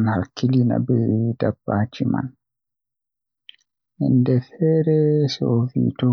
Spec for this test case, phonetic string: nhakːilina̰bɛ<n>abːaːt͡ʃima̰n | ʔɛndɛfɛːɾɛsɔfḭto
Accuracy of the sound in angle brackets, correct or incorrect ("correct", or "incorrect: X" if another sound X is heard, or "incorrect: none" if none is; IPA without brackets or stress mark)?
incorrect: d